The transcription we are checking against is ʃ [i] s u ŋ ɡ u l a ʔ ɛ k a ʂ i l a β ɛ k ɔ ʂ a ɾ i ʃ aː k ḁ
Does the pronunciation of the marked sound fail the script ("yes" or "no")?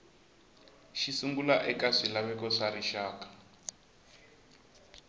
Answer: no